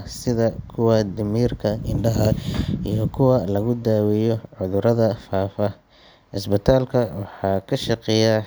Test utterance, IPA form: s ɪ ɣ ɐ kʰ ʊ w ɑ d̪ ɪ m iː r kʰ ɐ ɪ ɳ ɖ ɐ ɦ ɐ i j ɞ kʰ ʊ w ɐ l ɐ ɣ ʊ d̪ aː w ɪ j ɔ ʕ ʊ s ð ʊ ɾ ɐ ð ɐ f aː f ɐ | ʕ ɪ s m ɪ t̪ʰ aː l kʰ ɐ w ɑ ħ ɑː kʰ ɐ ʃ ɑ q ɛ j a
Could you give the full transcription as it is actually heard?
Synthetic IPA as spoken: s ɪ ð ɐ kʰ ʊ w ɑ d̪ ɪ m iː r kʰ ɐ ɪ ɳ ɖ ɐ ɦ ɐ i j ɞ kʰ ʊ w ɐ l ɐ ɣ ʊ d̪ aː w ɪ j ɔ ʕ ʊ ð ʊ ɾ ɐ ð ɐ f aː f ɐ | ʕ ɪ s b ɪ t̪ʰ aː l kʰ ɐ w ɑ ħ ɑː kʰ ɐ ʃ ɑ q ɛ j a